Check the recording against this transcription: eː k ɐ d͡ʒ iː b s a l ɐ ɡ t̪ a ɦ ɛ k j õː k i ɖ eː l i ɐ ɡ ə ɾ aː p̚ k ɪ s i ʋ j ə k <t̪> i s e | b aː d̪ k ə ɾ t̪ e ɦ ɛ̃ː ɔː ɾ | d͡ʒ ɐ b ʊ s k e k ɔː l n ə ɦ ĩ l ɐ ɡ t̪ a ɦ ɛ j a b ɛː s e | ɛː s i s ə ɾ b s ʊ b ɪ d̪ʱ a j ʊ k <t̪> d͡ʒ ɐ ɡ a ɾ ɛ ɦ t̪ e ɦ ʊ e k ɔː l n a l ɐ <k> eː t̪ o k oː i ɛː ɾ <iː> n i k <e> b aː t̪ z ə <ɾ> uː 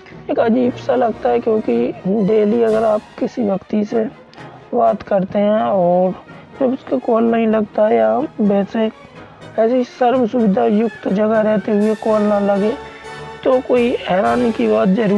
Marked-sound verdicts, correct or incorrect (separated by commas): correct, correct, incorrect, incorrect, incorrect, correct